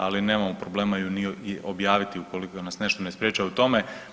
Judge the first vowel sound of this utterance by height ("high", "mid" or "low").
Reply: low